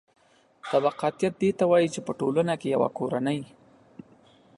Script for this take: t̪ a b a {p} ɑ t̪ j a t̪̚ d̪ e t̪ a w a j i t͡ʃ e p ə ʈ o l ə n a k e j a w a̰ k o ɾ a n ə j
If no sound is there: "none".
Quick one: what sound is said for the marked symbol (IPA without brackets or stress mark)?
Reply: q